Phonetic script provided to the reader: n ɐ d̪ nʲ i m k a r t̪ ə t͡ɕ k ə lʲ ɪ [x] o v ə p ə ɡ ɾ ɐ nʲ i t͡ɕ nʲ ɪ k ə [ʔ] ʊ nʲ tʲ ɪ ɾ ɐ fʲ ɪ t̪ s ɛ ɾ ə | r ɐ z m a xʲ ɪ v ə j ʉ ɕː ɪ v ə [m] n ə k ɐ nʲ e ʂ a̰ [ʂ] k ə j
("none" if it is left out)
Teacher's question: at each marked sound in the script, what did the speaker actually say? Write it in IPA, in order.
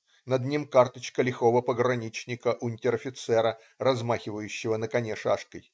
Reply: x, ʔ, none, ʂ

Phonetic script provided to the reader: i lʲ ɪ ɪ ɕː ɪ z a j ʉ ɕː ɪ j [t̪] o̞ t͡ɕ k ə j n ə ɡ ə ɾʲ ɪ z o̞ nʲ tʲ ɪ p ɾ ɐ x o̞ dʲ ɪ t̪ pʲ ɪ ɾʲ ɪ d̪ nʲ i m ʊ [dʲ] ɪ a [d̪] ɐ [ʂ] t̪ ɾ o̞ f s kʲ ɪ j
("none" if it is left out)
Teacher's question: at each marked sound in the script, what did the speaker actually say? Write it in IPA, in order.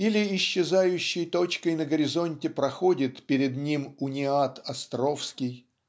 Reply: t̪, nʲ, t̪, s

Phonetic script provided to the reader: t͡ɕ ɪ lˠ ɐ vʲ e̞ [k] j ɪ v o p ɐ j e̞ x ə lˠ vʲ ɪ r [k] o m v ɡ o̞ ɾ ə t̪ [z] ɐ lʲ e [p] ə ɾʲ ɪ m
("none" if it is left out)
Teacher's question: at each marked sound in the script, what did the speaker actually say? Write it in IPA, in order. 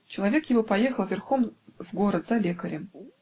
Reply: k, x, z, k

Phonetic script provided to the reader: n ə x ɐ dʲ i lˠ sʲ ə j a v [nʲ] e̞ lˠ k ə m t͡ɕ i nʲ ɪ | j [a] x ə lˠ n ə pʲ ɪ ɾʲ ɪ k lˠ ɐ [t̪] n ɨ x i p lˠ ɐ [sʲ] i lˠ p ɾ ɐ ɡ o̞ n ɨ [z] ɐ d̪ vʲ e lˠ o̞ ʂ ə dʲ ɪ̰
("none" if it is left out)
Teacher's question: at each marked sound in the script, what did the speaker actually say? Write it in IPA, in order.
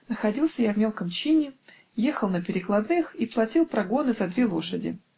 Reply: mʲ, e, d̪, tʲ, z

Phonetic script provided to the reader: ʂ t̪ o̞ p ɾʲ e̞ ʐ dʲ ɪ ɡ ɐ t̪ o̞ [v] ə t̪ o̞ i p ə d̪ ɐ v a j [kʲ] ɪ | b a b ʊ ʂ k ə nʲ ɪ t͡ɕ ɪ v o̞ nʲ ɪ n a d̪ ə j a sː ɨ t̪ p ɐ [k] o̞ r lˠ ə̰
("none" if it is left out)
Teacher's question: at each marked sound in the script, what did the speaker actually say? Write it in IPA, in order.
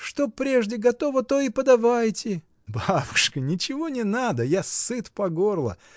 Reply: v, tʲ, ɡ

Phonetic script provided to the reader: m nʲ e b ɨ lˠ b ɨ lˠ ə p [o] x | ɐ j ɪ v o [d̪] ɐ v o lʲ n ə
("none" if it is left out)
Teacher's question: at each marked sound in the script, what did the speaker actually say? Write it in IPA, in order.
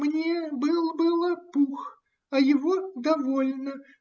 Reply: u, d̪

